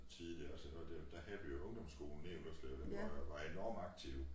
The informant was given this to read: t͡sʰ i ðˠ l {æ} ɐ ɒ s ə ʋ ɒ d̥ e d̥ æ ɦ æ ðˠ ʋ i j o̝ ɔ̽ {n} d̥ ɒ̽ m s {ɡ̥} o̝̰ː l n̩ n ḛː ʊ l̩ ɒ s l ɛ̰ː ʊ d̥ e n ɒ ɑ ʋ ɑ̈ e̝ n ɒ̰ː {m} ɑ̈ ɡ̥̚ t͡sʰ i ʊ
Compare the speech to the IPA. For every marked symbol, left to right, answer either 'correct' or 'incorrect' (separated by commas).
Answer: incorrect, incorrect, correct, correct